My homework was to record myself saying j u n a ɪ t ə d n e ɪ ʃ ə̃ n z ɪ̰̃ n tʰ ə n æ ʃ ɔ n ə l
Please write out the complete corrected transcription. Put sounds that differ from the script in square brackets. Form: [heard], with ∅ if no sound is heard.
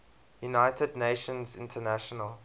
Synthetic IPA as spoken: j u n a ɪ t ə d n e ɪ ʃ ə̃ n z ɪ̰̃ n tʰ ə n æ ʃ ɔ n ə l